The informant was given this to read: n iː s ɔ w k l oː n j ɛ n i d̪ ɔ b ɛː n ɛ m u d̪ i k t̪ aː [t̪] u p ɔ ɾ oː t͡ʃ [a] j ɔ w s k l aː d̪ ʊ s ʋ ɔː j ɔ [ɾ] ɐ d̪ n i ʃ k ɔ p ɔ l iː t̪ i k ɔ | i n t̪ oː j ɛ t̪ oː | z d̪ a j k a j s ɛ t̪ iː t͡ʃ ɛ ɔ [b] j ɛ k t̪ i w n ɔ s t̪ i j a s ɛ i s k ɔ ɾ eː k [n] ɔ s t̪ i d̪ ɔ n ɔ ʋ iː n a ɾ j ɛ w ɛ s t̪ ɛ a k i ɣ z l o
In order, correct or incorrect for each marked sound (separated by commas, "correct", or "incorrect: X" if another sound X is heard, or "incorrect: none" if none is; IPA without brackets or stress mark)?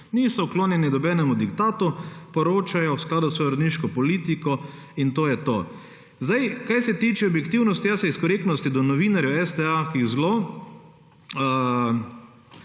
correct, correct, correct, correct, correct